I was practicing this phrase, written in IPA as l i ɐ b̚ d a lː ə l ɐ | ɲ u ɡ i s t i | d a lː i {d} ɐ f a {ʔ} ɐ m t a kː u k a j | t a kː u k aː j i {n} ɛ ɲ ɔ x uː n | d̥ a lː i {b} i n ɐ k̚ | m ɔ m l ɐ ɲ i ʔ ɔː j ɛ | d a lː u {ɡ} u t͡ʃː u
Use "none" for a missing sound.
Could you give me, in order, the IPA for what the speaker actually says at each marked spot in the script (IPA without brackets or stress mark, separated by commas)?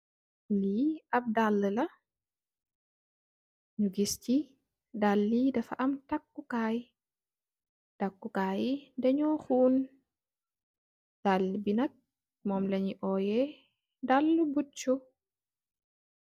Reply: d, ʔ, d, b, b